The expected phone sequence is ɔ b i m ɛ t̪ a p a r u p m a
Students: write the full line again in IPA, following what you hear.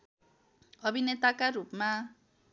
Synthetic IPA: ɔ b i n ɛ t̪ a k a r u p m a